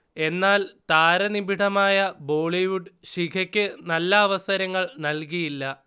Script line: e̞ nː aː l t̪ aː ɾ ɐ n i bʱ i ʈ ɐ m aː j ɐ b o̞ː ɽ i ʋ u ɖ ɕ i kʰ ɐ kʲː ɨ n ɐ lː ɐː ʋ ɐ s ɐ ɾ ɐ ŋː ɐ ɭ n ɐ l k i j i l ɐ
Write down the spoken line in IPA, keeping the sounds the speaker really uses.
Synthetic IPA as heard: e̞ nː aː l t̪ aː ɾ ɐ n i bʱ i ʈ ɐ m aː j ɐ b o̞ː ɭ i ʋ u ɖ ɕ i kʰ ɐ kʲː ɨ n ɐ lː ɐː ʋ ɐ s ɐ ɾ ɐ ŋː ɐ ɭ n ɐ l k i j i lː ɐ